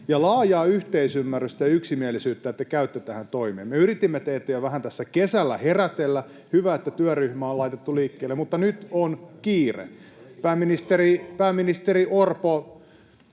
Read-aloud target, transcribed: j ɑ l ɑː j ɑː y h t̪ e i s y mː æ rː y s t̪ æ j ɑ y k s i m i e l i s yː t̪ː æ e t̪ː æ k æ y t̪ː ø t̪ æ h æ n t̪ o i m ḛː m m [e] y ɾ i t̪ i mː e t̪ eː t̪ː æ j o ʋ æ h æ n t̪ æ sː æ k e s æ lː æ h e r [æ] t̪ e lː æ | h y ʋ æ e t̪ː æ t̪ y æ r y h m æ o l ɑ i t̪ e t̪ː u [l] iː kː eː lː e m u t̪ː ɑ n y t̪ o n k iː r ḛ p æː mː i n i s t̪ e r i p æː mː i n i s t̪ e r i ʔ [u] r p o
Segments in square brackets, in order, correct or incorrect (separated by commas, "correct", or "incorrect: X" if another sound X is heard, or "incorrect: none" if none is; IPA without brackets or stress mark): correct, correct, correct, incorrect: o